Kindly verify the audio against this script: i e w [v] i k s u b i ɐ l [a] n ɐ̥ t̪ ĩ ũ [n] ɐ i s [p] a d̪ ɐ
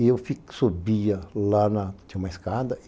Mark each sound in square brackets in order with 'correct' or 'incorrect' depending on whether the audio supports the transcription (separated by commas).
incorrect, correct, incorrect, incorrect